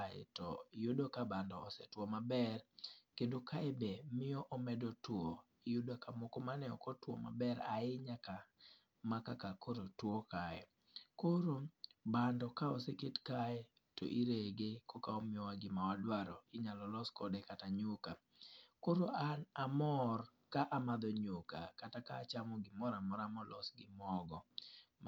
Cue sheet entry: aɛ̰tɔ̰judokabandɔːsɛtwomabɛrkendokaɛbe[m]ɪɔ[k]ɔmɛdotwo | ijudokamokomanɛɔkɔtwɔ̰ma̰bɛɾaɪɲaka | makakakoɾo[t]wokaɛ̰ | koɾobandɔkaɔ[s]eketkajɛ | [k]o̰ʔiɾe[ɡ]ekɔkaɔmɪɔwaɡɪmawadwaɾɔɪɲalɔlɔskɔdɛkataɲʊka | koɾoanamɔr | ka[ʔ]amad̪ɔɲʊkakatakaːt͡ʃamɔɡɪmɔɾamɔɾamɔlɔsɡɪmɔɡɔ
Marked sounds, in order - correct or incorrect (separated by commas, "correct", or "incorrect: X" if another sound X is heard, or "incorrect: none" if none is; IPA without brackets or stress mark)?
correct, incorrect: ʔ, correct, correct, incorrect: t, correct, correct